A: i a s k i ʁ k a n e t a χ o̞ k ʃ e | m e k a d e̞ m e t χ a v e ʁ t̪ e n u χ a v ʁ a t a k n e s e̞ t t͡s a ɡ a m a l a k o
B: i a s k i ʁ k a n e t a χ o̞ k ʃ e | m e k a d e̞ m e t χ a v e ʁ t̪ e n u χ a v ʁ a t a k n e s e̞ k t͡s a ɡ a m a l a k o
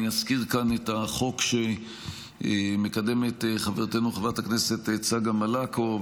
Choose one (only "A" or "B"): A